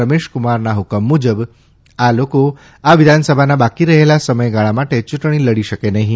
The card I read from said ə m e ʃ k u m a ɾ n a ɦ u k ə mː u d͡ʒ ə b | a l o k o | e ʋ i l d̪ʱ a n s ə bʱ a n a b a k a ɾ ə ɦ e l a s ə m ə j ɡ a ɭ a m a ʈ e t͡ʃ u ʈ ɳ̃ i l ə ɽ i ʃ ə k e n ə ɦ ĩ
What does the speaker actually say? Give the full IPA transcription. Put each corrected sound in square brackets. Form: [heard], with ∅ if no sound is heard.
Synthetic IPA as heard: ə m e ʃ k u m a ɾ n a ɦ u k ə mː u d͡ʒ ə b | a l o k o | [a] ʋ i [∅] d̪ʱ a n s ə bʱ a n a b a k [i] ɾ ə ɦ e l a s ə m ə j ɡ a ɭ a m a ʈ e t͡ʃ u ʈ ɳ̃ i l ə ɽ i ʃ ə k e n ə ɦ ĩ

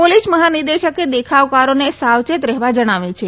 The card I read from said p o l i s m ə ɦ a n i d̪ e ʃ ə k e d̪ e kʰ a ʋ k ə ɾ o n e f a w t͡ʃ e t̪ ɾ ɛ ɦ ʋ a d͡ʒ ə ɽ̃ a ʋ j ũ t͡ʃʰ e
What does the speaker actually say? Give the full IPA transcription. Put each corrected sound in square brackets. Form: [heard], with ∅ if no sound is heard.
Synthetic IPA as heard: p o l i s m ə ɦ a n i d̪ e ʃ ə k e d̪ e kʰ a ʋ k [a] ɾ o n e [s] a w t͡ʃ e t̪ ɾ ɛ ɦ ʋ a d͡ʒ ə ɽ̃ a ʋ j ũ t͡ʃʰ e

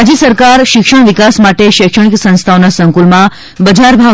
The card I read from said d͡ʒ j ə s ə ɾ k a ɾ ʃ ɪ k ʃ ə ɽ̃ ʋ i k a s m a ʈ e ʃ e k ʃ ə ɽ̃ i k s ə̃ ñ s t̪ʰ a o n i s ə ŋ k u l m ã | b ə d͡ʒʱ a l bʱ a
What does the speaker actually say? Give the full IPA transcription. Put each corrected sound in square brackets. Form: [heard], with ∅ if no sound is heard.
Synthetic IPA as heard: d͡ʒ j ə s ə ɾ k a ɾ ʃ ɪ k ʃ ə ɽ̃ ʋ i k a s m a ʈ e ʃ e k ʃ ə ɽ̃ i k s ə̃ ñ s t̪ʰ a o n [a] s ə ŋ k u l m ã | b ə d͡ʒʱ a [ɾ] bʱ a

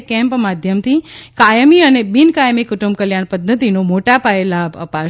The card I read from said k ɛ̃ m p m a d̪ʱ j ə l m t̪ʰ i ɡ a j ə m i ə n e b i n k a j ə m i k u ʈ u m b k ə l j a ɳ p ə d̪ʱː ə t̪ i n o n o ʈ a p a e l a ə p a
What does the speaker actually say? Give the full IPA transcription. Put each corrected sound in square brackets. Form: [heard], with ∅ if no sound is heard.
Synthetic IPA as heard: k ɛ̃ m p m a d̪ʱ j ə [∅] m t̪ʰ i [k] a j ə m i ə n e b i n k a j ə m i k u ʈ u m b k ə l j a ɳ p ə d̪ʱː ə t̪ i n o [m] o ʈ a p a e l a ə p a

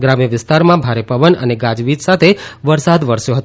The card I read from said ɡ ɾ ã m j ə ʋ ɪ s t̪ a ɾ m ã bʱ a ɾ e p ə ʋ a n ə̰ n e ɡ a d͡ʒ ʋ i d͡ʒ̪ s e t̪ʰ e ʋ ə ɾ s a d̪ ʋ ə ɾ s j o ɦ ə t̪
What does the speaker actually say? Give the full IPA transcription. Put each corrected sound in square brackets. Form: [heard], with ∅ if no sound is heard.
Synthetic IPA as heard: ɡ ɾ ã m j ə ʋ ɪ s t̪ a ɾ m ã bʱ a ɾ e p ə ʋ [ə] n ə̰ n e ɡ a d͡ʒ ʋ i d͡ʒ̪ s [a] t̪ʰ e ʋ ə ɾ s a d̪ ʋ ə ɾ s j o ɦ ə t̪

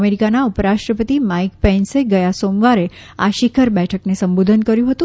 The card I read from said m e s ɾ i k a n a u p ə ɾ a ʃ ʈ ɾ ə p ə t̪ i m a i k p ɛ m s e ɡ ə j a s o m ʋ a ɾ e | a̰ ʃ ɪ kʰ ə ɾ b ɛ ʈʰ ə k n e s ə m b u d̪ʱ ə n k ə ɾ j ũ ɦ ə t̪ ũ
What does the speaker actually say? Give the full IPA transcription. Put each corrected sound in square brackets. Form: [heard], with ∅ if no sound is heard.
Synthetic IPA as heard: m e [∅] ɾ i k a n a u p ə ɾ a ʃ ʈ ɾ ə p ə t̪ i m a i k p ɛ [n] s e ɡ ə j a s o m ʋ a ɾ e | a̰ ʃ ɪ kʰ ə ɾ b ɛ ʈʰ ə k n e s ə m b [o] d̪ʱ ə n k ə ɾ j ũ ɦ ə t̪ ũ

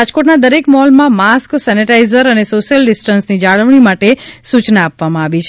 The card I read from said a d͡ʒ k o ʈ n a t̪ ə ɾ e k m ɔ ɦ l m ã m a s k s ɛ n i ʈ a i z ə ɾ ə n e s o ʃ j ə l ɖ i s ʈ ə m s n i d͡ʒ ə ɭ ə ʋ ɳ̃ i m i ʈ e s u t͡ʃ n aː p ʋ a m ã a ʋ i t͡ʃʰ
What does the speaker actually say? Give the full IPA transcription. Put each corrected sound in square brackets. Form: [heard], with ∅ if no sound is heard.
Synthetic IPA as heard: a d͡ʒ k o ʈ n a [d̪] ə ɾ e k m ɔ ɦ l m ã m a s k s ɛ n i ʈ a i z ə ɾ ə n e s o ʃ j ə l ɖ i s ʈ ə [n] s n i d͡ʒ [a] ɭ ə ʋ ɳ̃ i m [a] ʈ e s u t͡ʃ n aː p ʋ a m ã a ʋ i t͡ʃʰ

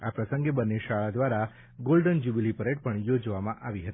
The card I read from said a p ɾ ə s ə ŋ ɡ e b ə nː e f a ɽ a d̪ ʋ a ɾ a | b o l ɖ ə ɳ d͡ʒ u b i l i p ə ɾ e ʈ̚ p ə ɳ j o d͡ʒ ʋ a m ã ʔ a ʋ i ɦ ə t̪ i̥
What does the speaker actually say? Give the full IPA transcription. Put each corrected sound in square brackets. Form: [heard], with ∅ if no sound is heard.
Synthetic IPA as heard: a p ɾ ə s ə ŋ ɡ e b ə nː e [ʃ] a [ɭ] a d̪ ʋ a ɾ a | [ɡ] o l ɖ ə [n] d͡ʒ u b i l i p ə ɾ e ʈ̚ p ə ɳ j o d͡ʒ ʋ a m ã ʔ a ʋ i ɦ ə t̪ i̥

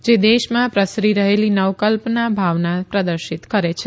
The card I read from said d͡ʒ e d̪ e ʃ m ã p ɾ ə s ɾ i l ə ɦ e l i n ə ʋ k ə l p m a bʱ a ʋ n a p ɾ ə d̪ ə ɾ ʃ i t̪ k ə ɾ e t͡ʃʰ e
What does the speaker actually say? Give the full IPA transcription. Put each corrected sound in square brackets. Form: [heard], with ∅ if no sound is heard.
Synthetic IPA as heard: d͡ʒ e d̪ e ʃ m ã p ɾ ə s ɾ i [ɾ] ə ɦ e l i n ə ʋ k ə l p [n] a bʱ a ʋ n a p ɾ ə d̪ ə ɾ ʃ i t̪ k ə ɾ e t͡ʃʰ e

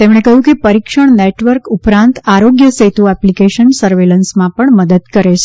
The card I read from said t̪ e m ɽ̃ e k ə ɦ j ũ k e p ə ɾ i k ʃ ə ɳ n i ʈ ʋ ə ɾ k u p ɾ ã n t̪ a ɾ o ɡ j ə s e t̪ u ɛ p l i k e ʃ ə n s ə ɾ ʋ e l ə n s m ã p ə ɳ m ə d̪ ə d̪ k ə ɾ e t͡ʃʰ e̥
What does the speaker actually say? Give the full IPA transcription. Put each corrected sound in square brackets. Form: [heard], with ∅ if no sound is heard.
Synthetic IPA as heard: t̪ e m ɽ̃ e k ə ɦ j ũ k e p ə ɾ i k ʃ ə ɳ n [e] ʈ ʋ ə ɾ k u p ɾ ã n t̪ a ɾ o ɡ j ə s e t̪ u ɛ p l i k e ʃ ə n s ə ɾ ʋ e l ə n s m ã p ə ɳ m ə d̪ ə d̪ k ə ɾ e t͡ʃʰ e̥

